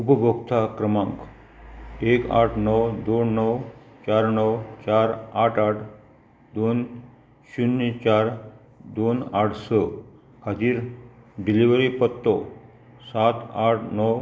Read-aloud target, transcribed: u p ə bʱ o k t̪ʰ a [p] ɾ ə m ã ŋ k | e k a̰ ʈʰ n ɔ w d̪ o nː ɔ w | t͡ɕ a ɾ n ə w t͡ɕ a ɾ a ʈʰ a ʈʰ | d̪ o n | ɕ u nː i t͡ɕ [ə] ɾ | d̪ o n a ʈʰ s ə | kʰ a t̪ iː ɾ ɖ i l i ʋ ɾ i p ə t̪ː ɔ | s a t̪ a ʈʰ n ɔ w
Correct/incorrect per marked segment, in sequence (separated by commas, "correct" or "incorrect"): incorrect, incorrect